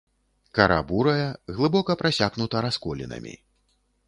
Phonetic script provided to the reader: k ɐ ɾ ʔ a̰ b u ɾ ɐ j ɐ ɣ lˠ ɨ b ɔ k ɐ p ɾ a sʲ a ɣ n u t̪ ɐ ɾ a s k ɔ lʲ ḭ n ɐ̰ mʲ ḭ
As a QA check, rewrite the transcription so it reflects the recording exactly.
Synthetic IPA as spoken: k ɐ ɾ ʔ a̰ b u ɾ ɐ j ɐ ɣ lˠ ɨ b ɔ k ɐ p ɾ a sʲ a ɣ n u t̪ ɐ ɾ a s k ɔ lʲ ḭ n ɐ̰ mʲ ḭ